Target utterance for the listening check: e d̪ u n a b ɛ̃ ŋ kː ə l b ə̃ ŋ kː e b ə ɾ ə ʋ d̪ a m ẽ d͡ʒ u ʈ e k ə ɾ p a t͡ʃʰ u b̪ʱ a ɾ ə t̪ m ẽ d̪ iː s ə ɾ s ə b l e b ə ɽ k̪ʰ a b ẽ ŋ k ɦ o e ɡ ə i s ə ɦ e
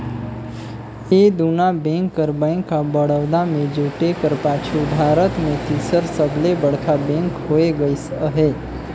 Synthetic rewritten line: e d̪ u n a b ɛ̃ ŋ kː ə ɾ b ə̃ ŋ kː a b ə ɽ ə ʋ d̪ a m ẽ d͡ʒ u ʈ e k ə ɾ p a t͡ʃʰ u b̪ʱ a ɾ ə t̪ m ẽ t̪ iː s ə ɾ s ə b l e b ə ɽ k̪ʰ a b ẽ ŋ k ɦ o e ɡ ə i s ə ɦ e